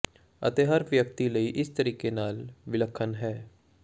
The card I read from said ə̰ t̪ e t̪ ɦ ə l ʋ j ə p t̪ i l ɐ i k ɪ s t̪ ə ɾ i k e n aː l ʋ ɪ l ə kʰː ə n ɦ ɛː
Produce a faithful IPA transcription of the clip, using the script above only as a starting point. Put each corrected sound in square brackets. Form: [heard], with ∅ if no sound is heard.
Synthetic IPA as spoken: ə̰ t̪ e [∅] ɦ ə [ɾ] ʋ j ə [k] t̪ i l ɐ i [ʔ] ɪ s t̪ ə ɾ [iː] k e n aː l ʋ ɪ l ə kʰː ə n ɦ ɛː